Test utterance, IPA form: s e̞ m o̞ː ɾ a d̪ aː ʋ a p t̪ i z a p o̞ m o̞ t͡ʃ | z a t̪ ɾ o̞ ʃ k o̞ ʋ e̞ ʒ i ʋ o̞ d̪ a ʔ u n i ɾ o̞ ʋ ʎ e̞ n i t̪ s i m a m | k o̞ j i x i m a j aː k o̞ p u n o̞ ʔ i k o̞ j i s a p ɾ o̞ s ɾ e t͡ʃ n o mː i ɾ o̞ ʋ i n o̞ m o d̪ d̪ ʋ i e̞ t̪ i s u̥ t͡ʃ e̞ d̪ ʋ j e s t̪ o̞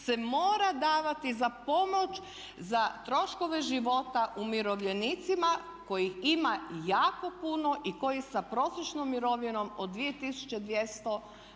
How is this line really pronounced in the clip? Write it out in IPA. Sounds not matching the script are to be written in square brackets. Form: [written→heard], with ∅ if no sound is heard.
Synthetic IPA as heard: s e̞ m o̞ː ɾ a d̪ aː ʋ a [p→∅] t̪ i z a p o̞ m o̞ t͡ʃ | z a t̪ ɾ o̞ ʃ k o̞ ʋ e̞ ʒ i ʋ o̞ [d̪→t̪] a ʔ u [n→m] i ɾ o̞ ʋ ʎ e̞ n i t̪ s i m a [m→∅] | k o̞ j i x i m a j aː k o̞ p u n o̞ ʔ i k o̞ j i s a p ɾ o̞ s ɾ e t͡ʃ n o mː i ɾ o̞ ʋ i n o̞ m o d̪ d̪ ʋ i e̞ t̪ i s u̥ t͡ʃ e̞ d̪ ʋ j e s t̪ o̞